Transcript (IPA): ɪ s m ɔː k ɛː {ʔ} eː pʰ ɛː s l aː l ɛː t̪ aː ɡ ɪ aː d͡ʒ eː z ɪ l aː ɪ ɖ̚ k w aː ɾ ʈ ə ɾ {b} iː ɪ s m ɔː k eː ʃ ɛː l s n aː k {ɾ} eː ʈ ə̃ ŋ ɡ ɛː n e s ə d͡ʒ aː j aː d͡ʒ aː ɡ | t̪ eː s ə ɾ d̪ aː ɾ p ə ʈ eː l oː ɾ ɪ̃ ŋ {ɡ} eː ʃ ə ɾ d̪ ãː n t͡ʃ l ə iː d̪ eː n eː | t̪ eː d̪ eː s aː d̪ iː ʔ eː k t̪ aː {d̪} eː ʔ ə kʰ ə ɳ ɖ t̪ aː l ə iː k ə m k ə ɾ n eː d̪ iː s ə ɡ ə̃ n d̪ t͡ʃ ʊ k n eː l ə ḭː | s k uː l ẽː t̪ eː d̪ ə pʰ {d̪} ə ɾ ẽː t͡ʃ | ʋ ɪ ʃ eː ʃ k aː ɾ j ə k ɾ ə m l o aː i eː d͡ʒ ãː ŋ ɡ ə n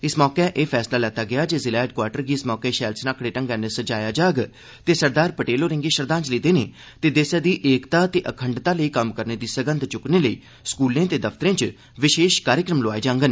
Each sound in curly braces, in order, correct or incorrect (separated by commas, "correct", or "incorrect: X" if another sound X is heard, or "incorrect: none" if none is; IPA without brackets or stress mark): correct, incorrect: ɡ, incorrect: ɽ, correct, incorrect: t̪, incorrect: t̪